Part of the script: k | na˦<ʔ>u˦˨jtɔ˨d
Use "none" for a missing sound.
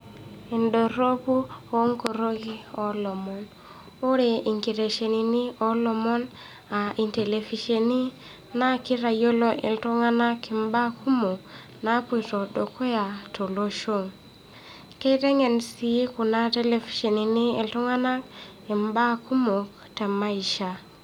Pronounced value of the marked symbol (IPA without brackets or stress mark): p